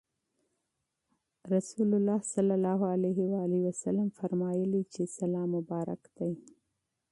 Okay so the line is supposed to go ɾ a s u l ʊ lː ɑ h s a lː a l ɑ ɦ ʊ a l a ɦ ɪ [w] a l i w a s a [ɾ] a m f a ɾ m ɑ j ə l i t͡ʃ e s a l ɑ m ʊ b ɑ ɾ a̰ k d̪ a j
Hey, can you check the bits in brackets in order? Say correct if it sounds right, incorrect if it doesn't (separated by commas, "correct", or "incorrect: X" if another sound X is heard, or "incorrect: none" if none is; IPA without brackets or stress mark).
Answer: correct, incorrect: l